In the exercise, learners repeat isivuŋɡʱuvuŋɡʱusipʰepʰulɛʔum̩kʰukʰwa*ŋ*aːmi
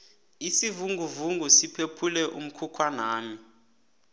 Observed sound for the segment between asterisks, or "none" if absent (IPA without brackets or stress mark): n